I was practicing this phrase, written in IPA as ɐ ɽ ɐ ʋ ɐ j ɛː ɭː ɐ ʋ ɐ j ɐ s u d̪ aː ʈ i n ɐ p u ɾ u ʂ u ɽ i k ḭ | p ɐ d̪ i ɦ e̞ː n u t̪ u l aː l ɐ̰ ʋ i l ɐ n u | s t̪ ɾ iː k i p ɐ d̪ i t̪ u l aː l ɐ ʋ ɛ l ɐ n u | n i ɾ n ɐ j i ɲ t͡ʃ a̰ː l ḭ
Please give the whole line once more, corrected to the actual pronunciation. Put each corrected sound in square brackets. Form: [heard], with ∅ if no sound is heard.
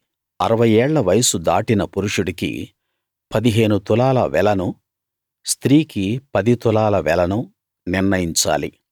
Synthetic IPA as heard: ɐ [ɾ] ɐ ʋ ɐ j ɛː ɭː ɐ ʋ ɐ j ɐ s u d̪ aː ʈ i n ɐ p u ɾ u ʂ u ɽ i k ḭ | p ɐ d̪ i ɦ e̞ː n u t̪ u l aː l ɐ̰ ʋ [ɛ] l ɐ n u | s t̪ ɾ iː k i p ɐ d̪ i t̪ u l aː l ɐ ʋ ɛ l ɐ n u | n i ɾ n ɐ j i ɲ t͡ʃ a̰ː l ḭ

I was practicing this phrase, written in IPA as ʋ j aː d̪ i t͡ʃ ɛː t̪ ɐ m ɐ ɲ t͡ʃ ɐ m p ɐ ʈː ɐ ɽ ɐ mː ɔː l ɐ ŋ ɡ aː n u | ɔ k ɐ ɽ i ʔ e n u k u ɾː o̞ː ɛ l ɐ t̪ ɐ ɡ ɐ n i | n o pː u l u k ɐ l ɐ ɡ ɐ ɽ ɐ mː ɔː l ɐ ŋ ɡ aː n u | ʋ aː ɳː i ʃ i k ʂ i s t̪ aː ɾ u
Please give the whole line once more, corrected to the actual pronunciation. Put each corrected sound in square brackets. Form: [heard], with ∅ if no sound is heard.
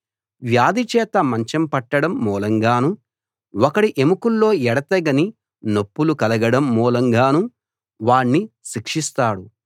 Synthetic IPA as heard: ʋ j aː d̪ i t͡ʃ ɛː t̪ ɐ m ɐ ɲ t͡ʃ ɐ m p ɐ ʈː ɐ ɽ ɐ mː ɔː l ɐ ŋ ɡ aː n u | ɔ k ɐ ɽ i ʔ e [m] u k u [lː] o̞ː ɛ [ɽ] ɐ t̪ ɐ ɡ ɐ n i | n o pː u l u k ɐ l ɐ ɡ ɐ ɽ ɐ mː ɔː l ɐ ŋ ɡ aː n u | ʋ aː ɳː i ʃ i k ʂ i s t̪ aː [ɽ] u

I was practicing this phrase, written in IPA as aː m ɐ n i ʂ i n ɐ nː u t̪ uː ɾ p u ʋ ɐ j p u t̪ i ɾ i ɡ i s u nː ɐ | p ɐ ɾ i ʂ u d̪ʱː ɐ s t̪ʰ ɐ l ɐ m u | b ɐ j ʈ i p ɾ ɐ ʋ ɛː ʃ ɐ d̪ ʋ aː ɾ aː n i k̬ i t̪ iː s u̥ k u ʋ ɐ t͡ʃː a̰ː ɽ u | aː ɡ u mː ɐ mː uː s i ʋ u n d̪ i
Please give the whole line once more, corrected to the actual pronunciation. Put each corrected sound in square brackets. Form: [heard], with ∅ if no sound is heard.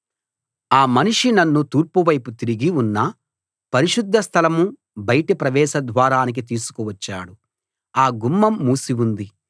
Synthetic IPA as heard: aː m ɐ n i ʂ i n ɐ nː u t̪ uː ɾ p u ʋ ɐ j p u t̪ i ɾ i ɡ i [∅] u nː ɐ | p ɐ ɾ i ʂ u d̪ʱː ɐ s t̪ʰ ɐ l ɐ m u | b ɐ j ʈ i p ɾ ɐ ʋ ɛː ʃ ɐ d̪ ʋ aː ɾ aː n i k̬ i t̪ iː s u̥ k u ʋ ɐ t͡ʃː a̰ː ɽ u | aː ɡ u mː ɐ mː uː s i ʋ u n d̪ i

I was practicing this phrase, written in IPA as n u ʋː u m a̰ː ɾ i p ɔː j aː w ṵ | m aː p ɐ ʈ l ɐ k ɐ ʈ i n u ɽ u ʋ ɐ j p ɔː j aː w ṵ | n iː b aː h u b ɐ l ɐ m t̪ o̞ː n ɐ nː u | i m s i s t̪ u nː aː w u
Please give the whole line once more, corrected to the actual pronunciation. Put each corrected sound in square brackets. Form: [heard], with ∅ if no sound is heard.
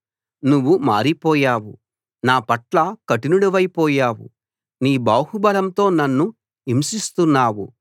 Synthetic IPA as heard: n u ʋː u m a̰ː ɾ i p ɔː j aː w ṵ | [n] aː p ɐ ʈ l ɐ k ɐ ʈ i n u ɽ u ʋ ɐ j p ɔː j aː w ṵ | n iː b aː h u b ɐ l ɐ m t̪ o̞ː n ɐ nː u | i m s i s t̪ u nː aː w u

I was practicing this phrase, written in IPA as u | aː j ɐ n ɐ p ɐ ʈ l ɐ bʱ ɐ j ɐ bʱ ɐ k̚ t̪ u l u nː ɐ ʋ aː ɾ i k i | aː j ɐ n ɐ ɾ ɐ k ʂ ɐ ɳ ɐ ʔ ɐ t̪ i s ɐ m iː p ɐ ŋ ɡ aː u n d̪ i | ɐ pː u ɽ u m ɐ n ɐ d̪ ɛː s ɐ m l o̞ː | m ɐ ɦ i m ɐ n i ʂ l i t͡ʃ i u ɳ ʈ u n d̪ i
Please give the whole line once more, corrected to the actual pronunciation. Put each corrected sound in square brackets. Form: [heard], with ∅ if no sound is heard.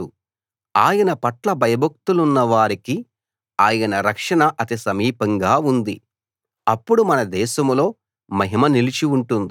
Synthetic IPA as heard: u | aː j ɐ n ɐ p ɐ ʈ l ɐ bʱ ɐ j ɐ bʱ ɐ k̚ t̪ u l u nː ɐ ʋ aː ɾ i k i | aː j ɐ n ɐ ɾ ɐ k ʂ ɐ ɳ ɐ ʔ ɐ t̪ i s ɐ m iː p ɐ ŋ ɡ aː u n d̪ i | ɐ pː u ɽ u m ɐ n ɐ d̪ ɛː [ʃ] ɐ m l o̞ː | m ɐ ɦ i m ɐ n i [∅] l i t͡ʃ i u ɳ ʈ u n d̪ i

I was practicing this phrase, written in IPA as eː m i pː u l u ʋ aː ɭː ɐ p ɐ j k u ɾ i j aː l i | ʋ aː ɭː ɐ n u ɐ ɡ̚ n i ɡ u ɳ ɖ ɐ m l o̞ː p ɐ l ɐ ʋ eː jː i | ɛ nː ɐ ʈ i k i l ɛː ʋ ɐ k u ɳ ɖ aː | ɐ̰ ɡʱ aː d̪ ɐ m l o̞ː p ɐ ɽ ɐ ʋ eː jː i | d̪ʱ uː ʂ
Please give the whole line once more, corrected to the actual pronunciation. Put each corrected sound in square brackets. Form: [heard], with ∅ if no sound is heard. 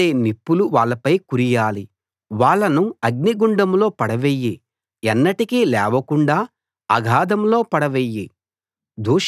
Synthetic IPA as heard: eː [n] i pː u l u ʋ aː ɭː ɐ p ɐ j k u ɾ i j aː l i | ʋ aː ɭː ɐ n u ɐ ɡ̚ n i ɡ u ɳ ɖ ɐ m l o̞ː p ɐ [ɽ] ɐ ʋ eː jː i | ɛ nː ɐ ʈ i k i l ɛː ʋ ɐ k u ɳ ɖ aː | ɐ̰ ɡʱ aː d̪ ɐ m l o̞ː p ɐ ɽ ɐ ʋ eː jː i | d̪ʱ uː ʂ

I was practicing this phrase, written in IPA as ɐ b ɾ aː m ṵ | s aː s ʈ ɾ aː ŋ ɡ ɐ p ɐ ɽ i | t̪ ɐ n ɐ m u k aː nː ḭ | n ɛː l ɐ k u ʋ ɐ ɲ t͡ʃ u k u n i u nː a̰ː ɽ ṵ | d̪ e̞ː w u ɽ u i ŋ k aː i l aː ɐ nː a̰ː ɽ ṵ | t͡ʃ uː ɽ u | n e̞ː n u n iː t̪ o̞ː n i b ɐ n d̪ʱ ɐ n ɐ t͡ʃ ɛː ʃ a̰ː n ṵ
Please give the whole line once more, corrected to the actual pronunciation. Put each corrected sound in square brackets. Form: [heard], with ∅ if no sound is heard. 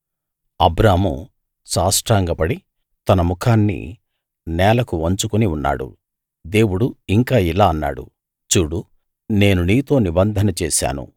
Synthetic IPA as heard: ɐ b ɾ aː m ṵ | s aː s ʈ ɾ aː ŋ ɡ ɐ p ɐ ɽ i | t̪ ɐ n ɐ m u [kʰ] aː nː ḭ | n ɛː l ɐ k u ʋ ɐ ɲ t͡ʃ u k u n i u nː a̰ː ɽ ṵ | d̪ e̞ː w u ɽ u i ŋ k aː i l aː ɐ nː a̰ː ɽ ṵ | t͡ʃ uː ɽ u | n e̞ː n u n iː t̪ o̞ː n i b ɐ n d̪ʱ ɐ n ɐ t͡ʃ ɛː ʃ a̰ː n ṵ

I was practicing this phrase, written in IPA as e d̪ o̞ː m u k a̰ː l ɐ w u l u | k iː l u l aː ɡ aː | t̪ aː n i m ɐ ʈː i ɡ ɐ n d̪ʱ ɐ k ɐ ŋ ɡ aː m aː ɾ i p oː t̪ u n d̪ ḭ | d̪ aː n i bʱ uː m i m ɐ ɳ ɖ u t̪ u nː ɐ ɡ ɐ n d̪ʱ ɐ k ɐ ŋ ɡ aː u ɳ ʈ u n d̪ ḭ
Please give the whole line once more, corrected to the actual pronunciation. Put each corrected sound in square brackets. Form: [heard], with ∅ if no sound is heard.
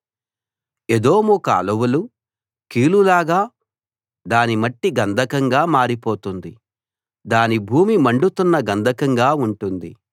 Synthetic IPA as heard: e d̪ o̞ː m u k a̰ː l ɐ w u l u | k iː l u l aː ɡ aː | [d̪] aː n i m ɐ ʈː i ɡ ɐ n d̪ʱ ɐ k ɐ ŋ ɡ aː m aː ɾ i p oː t̪ u n d̪ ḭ | d̪ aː n i bʱ uː m i m ɐ ɳ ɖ u t̪ u nː ɐ ɡ ɐ n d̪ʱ ɐ k ɐ ŋ ɡ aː u ɳ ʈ u n d̪ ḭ

